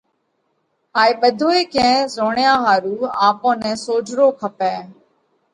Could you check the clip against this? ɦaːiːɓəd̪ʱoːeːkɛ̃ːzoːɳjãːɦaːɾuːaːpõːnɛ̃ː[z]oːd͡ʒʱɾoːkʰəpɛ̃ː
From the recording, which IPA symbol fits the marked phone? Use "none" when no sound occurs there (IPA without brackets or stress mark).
s